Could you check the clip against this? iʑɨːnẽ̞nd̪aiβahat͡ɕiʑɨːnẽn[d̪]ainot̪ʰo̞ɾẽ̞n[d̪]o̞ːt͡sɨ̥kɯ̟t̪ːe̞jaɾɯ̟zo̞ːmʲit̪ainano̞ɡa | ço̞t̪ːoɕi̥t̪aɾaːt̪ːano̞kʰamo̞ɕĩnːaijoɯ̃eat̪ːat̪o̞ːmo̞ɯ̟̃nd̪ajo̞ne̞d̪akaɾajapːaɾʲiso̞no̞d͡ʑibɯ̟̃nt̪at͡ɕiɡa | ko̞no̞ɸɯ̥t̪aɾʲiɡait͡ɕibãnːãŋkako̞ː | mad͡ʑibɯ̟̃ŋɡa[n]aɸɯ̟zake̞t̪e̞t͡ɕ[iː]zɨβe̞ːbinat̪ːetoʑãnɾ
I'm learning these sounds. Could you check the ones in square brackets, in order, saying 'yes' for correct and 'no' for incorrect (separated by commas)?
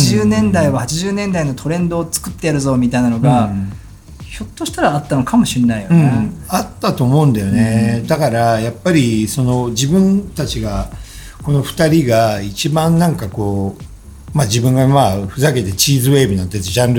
yes, yes, no, yes